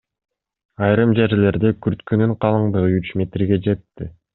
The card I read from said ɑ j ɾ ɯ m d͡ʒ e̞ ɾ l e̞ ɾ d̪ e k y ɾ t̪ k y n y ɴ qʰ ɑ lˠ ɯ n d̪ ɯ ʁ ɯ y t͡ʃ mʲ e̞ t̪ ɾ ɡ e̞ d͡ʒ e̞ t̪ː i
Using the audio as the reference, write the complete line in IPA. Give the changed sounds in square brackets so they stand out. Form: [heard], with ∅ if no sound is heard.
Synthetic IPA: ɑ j ɾ ɯ m d͡ʒ e̞ ɾ l e̞ ɾ d̪ e k y ɾ t̪ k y n y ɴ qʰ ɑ lˠ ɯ [ɴ] d̪ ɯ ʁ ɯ y t͡ʃ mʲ e̞ t̪ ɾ ɡ e̞ d͡ʒ e̞ t̪ː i

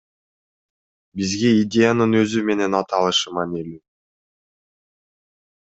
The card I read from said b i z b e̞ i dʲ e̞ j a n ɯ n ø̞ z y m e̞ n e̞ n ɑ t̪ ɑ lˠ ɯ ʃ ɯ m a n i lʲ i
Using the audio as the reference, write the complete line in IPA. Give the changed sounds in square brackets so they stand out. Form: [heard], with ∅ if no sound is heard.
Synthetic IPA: b i z [ɡ] e̞ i dʲ e̞ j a n ɯ n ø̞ z y m e̞ n e̞ n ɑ t̪ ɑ lˠ ɯ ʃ ɯ m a n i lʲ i

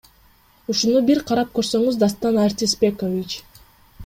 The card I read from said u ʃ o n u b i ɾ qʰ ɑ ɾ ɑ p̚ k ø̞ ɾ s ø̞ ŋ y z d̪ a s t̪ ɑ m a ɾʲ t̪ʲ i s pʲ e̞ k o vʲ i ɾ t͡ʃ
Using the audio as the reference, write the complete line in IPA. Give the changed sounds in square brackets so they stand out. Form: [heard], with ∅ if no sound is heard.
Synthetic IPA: u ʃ [u] n u b i ɾ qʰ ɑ ɾ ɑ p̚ k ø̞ ɾ s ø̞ ŋ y z d̪ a s t̪ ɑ [n] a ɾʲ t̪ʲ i s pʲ e̞ k o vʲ i [∅] t͡ʃ

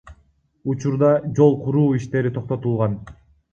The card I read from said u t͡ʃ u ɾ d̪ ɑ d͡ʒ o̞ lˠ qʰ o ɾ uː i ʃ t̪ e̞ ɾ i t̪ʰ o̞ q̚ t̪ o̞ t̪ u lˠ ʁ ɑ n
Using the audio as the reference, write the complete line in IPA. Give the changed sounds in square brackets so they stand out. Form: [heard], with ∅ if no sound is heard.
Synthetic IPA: u t͡ʃ u ɾ d̪ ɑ d͡ʒ o̞ lˠ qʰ [u] ɾ uː i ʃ t̪ e̞ ɾ i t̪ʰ o̞ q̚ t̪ o̞ t̪ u lˠ ʁ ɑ n

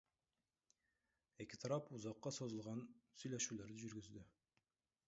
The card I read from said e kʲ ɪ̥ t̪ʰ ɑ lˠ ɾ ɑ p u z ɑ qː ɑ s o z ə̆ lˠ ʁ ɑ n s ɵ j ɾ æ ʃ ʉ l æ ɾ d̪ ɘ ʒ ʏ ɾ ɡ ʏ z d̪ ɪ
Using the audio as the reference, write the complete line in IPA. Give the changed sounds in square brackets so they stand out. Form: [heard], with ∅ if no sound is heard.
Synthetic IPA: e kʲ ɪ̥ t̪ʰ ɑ [∅] ɾ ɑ p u z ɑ qː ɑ s o z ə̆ lˠ ʁ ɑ n s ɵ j [l] æ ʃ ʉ l æ ɾ d̪ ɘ ʒ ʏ ɾ ɡ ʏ z d̪ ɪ

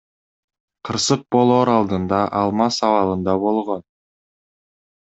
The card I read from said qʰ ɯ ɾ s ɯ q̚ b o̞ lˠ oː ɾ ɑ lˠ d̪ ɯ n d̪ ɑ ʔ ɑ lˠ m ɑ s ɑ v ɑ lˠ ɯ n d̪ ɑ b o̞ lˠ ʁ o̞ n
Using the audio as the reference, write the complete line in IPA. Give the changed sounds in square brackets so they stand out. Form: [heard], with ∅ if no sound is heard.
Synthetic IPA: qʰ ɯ ɾ s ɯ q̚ b o̞ lˠ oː ɾ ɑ lˠ d̪ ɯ n d̪ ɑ ʔ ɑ lˠ m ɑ s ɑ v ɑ lˠ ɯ n d̪ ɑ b o̞ lˠ ʁ o̞ n

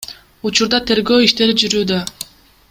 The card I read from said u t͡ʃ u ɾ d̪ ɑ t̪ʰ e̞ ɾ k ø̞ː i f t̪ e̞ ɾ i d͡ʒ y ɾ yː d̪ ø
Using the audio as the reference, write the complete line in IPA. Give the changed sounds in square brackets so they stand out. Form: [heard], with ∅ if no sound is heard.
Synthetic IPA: u t͡ʃ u ɾ d̪ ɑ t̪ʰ e̞ ɾ [ɡ] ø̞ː i [ʃ] t̪ e̞ ɾ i d͡ʒ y ɾ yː d̪ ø

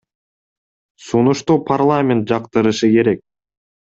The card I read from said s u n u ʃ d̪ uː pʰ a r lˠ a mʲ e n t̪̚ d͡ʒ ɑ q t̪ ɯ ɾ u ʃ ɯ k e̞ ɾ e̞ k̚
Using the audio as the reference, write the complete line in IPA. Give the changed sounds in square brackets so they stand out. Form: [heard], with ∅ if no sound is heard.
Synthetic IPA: s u n u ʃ [t̪] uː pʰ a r lˠ a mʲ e n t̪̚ d͡ʒ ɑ q t̪ ɯ ɾ [ɯ] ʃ ɯ k e̞ ɾ e̞ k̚

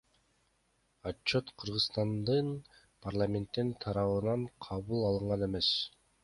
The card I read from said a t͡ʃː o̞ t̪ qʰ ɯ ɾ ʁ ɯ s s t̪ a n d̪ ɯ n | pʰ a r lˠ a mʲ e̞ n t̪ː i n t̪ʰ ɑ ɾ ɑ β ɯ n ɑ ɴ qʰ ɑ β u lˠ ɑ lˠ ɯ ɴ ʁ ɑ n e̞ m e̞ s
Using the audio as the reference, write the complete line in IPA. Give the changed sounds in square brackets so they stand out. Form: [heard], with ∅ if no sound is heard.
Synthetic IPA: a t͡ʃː o̞ t̪ qʰ ɯ ɾ ʁ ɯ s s t̪ [ɑ] n d̪ ɯ n | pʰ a r lˠ a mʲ e̞ n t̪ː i n t̪ʰ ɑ ɾ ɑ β ɯ n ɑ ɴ qʰ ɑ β u lˠ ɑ lˠ ɯ ɴ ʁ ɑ n e̞ m e̞ s

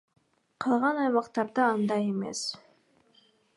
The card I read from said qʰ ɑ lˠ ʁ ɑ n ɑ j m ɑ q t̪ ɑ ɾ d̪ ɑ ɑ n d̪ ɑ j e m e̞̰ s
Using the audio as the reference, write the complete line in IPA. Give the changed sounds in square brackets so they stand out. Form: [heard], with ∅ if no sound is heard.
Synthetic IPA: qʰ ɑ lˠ ʁ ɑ n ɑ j m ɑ q t̪ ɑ ɾ d̪ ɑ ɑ n d̪ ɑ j e m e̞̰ s

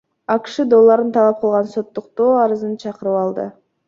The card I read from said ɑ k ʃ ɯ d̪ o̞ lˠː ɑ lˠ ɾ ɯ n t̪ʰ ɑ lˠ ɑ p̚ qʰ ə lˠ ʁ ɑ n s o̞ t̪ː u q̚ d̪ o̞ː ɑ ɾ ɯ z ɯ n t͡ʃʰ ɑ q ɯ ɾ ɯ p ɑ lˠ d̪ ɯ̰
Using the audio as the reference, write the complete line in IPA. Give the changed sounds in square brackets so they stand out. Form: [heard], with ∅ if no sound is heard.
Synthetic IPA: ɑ k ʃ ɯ d̪ o̞ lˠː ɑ [∅] ɾ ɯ n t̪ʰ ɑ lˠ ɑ p̚ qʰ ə lˠ ʁ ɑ n s o̞ t̪ː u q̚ [t̪] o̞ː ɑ ɾ ɯ z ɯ n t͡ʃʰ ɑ q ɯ ɾ ɯ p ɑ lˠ d̪ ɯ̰

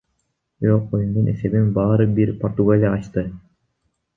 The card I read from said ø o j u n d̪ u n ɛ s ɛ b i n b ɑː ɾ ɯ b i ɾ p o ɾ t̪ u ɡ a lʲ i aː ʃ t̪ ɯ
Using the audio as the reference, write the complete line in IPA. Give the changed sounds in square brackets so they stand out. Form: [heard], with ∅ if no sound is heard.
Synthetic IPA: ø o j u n d̪ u n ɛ s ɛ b i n b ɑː ɾ ɯ b i ɾ p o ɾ t̪ u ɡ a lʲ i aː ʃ t̪ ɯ

